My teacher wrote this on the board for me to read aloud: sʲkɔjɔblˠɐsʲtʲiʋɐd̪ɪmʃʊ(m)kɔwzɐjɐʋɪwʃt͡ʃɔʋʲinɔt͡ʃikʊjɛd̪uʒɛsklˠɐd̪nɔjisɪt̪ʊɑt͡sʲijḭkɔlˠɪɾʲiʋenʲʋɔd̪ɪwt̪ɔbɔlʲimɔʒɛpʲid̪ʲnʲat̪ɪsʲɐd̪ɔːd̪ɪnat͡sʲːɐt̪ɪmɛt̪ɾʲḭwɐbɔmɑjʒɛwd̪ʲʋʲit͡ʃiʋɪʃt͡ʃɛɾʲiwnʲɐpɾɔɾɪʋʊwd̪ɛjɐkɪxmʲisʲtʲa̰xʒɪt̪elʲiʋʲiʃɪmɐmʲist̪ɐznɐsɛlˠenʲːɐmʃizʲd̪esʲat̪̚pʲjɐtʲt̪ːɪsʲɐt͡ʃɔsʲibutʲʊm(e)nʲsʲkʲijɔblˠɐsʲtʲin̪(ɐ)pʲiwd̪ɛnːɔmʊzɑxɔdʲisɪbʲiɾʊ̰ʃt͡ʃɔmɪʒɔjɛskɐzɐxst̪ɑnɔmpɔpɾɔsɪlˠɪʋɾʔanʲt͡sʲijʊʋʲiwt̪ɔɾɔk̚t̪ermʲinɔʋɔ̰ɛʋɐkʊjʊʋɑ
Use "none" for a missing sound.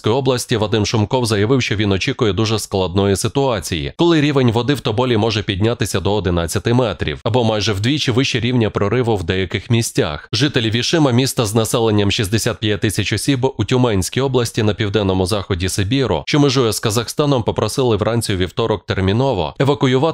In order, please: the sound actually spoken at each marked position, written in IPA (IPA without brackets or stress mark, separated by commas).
m, ɛ, ɐ